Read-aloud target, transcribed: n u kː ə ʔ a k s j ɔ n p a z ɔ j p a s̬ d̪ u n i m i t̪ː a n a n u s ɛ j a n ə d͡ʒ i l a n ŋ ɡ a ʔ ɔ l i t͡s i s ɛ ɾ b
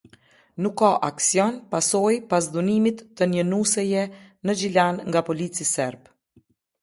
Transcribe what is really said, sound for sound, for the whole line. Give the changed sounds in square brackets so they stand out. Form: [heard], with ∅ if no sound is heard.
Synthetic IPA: n u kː [a] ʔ a k s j ɔ n p a [s] ɔ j p a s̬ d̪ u n i m i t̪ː [ə] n [ə] n u s ɛ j [ɛ] n ə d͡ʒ i l a n ŋ ɡ a [p] ɔ l i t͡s i s ɛ ɾ b